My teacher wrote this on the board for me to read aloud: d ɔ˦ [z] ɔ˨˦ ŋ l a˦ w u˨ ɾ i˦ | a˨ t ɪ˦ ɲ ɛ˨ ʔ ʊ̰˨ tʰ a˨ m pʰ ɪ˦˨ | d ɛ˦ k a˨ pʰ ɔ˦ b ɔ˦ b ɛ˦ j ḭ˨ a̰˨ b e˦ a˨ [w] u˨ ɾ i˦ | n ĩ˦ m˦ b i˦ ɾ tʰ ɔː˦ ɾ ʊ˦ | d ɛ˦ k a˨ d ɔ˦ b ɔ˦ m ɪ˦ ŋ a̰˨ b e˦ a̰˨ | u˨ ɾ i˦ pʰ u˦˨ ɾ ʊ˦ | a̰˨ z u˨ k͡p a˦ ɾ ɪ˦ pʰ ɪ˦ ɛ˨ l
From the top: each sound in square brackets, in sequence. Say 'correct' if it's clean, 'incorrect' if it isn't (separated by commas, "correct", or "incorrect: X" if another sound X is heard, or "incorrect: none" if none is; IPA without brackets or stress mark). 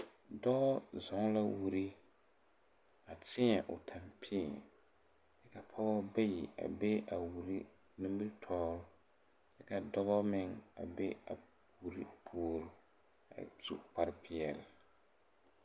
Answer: correct, correct